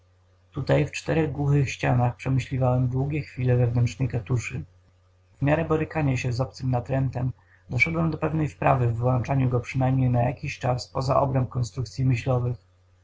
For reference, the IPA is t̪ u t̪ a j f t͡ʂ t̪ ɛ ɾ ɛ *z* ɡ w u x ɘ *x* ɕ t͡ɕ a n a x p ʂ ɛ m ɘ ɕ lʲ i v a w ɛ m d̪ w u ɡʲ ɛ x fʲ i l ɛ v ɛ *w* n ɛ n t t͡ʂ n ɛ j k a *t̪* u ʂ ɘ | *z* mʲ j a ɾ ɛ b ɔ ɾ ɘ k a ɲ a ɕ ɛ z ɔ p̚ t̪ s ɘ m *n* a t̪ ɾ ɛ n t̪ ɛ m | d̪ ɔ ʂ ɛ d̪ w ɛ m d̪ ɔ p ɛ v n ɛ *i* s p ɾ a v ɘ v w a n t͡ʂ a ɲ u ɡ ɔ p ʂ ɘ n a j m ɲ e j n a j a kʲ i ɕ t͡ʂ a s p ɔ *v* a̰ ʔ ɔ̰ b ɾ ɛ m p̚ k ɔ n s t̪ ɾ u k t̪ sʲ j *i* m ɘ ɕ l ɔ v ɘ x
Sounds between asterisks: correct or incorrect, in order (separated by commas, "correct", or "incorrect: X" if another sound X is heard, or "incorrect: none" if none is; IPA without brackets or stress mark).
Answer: incorrect: ɣ, correct, incorrect: v, correct, incorrect: v, correct, incorrect: j, incorrect: z, correct